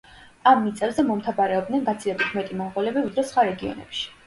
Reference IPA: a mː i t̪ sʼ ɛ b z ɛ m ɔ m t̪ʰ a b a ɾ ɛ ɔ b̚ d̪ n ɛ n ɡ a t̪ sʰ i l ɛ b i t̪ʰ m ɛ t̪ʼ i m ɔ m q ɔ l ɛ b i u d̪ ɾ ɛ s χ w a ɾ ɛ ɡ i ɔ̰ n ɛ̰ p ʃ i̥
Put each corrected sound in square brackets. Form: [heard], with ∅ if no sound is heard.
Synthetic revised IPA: a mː i t̪ sʼ ɛ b z ɛ m ɔ m t̪ʰ a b a ɾ ɛ ɔ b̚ d̪ n ɛ n ɡ a t̪ sʰ i l ɛ b i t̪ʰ m ɛ t̪ʼ i m ɔ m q ɔ l ɛ b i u d̪ ɾ ɛ s χ w a ɾ ɛ ɡ i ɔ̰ n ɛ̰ p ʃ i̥